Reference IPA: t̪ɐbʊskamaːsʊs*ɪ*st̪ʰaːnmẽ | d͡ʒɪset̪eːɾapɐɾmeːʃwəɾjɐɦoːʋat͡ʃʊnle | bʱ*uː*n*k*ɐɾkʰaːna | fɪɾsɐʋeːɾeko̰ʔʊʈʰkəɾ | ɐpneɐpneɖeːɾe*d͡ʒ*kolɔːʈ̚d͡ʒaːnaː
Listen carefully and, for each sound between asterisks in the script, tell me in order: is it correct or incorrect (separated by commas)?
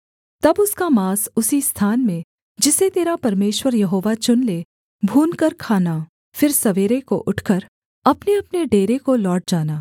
incorrect, correct, correct, incorrect